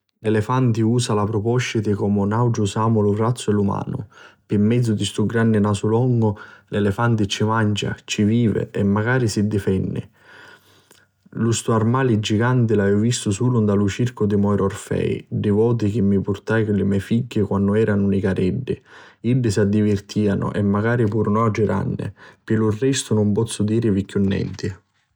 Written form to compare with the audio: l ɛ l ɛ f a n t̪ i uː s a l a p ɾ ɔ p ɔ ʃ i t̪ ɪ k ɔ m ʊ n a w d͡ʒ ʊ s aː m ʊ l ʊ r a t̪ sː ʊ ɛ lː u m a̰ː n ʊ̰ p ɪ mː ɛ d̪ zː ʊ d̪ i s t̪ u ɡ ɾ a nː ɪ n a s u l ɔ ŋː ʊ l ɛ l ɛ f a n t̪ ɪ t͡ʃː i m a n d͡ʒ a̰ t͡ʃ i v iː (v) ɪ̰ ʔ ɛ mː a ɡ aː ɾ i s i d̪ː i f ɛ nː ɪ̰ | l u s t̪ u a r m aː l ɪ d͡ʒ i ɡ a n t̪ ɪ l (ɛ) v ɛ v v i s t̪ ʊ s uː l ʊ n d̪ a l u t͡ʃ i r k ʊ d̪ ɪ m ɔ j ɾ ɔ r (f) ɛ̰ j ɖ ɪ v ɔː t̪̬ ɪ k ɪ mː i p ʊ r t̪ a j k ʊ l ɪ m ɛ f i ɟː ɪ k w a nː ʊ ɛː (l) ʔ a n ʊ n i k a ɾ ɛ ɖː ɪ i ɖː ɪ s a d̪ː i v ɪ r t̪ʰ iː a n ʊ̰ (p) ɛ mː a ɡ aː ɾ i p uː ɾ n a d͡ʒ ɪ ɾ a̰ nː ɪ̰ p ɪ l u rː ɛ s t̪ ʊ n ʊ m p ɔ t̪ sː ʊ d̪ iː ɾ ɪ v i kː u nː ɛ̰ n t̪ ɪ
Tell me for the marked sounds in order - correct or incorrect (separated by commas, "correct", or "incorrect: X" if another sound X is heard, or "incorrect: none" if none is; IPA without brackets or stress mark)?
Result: correct, incorrect: a, correct, incorrect: ɾ, incorrect: ʔ